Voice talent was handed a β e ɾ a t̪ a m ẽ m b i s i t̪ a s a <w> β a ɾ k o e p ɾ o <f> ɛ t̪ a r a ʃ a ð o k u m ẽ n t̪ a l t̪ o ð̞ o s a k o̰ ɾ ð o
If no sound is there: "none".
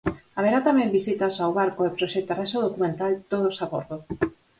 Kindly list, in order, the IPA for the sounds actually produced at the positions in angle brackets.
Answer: w, ʃ

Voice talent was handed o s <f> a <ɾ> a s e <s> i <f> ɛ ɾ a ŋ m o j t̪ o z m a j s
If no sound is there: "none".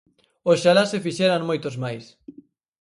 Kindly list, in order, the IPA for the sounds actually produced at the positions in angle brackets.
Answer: ʃ, l, f, ʃ

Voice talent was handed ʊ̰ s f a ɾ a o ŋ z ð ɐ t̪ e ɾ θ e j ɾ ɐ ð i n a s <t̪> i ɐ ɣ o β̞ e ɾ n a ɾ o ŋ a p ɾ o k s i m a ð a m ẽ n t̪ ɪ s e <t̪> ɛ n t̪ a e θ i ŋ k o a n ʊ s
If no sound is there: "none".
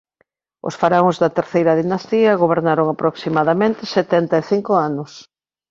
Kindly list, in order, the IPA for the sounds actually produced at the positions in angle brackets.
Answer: t̪, t̪

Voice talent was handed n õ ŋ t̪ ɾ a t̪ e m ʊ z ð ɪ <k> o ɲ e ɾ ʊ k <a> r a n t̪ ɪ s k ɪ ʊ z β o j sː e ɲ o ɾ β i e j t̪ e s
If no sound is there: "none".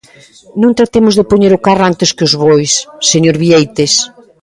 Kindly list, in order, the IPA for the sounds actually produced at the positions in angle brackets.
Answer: p, a

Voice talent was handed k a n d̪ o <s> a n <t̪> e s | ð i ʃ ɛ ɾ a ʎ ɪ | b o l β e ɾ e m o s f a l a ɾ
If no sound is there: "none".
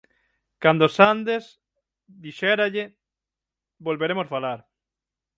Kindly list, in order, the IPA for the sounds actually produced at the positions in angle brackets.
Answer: s, d̪

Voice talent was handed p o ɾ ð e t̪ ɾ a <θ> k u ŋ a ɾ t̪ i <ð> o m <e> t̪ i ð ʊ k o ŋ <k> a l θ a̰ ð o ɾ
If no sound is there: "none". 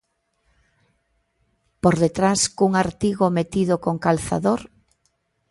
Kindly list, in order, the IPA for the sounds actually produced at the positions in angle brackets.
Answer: s, ɣ, e, k

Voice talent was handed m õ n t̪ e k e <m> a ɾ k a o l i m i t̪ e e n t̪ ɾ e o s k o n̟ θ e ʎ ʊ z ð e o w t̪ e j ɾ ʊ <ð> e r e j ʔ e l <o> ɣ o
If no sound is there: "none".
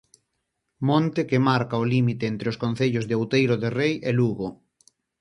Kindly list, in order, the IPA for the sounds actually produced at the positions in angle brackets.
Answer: m, ð, u

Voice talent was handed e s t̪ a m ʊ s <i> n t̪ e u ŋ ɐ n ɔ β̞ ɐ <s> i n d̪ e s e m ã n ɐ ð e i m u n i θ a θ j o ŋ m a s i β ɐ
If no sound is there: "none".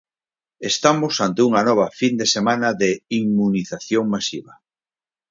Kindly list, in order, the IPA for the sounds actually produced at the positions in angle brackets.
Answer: a, f

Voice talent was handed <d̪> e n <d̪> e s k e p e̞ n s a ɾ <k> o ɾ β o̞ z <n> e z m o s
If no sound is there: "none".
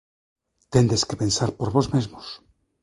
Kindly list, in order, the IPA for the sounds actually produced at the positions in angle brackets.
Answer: t̪, d̪, p, m

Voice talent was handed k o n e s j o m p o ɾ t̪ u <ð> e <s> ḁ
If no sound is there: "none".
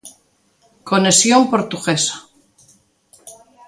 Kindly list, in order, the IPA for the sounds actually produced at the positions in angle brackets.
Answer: ɣ, s

